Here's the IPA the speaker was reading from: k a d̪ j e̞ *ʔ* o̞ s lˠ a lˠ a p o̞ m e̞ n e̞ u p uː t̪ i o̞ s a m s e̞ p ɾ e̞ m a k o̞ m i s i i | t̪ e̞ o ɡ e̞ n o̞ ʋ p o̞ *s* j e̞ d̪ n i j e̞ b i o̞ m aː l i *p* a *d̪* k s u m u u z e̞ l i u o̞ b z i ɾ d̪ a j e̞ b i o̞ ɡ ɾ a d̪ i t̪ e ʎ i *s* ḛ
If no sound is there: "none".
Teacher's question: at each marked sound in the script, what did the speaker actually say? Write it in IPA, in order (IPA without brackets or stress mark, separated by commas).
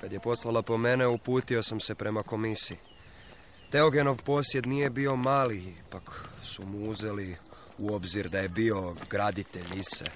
p, s, p, none, s